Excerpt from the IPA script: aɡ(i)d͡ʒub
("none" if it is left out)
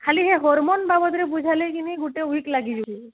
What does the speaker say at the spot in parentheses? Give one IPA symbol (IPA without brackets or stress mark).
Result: i